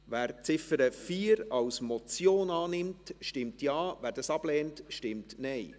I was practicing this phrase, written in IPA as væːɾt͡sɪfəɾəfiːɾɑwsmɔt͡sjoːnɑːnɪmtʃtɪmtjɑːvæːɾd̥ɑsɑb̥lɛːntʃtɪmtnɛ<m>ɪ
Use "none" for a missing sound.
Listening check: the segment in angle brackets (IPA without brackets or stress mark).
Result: none